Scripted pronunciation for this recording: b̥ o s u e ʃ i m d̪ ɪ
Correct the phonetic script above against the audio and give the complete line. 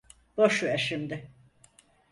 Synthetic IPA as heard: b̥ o ʃ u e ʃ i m d̪ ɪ